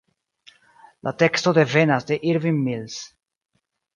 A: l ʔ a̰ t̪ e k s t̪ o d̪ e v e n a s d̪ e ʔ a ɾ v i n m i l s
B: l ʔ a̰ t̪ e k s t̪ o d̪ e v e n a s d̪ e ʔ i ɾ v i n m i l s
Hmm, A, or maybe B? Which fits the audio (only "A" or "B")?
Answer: B